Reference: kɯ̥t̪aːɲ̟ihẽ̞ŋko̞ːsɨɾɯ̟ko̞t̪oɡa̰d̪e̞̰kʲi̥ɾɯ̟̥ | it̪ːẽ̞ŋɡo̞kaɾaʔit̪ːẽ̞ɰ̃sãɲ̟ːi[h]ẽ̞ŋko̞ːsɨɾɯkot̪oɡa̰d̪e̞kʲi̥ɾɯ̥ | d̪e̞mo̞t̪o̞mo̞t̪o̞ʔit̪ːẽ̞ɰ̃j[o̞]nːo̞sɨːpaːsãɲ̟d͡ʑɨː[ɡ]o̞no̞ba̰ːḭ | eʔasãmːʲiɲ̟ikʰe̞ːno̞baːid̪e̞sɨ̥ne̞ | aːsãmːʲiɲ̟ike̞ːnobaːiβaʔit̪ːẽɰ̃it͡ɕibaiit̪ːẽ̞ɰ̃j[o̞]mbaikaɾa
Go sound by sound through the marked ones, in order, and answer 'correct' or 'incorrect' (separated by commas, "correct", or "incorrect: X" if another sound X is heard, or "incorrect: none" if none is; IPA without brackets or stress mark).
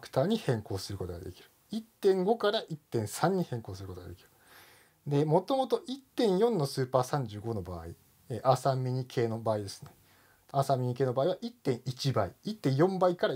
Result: correct, incorrect: õ̞, correct, incorrect: õ̞